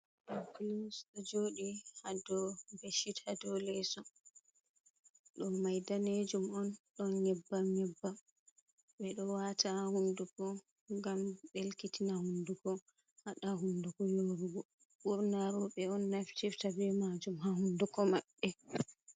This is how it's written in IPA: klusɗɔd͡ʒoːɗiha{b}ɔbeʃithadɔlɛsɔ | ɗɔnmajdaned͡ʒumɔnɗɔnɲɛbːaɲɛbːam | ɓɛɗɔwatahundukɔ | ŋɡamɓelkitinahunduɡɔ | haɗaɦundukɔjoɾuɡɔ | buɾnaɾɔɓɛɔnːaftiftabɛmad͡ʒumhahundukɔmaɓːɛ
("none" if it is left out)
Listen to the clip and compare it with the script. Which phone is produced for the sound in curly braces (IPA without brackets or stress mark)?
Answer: d